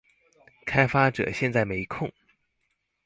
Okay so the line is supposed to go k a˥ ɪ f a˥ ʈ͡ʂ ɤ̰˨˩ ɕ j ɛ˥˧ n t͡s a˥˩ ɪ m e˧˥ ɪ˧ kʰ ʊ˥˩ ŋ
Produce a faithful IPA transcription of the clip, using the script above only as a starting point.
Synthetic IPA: kʰ a˥ ɪ f a˥ ʈ͡ʂ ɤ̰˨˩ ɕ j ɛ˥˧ n t͡s a˥˩ ɪ m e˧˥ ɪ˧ kʰ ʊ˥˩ ŋ